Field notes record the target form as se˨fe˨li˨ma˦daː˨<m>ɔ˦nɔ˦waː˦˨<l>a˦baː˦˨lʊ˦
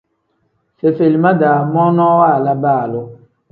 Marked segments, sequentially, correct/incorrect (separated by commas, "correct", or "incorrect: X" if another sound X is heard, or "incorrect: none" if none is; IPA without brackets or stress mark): correct, correct